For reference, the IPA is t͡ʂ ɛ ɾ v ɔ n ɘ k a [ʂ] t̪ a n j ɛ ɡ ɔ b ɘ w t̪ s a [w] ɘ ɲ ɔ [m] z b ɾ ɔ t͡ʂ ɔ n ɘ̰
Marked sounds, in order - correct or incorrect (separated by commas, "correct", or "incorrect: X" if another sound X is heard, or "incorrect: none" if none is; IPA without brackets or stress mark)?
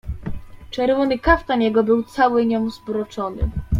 incorrect: f, correct, correct